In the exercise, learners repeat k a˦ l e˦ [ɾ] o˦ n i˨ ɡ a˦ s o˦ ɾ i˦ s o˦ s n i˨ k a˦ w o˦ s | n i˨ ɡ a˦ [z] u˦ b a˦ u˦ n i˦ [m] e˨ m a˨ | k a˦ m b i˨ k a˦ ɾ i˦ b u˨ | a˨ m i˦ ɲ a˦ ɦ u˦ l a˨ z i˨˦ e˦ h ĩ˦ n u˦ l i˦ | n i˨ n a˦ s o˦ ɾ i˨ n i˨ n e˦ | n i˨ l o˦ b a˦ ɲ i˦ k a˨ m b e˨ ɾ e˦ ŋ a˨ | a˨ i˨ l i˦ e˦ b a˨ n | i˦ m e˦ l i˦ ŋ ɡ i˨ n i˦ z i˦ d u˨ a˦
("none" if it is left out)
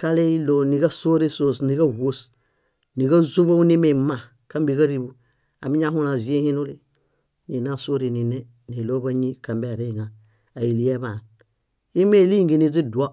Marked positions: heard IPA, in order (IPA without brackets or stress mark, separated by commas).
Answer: l, z, m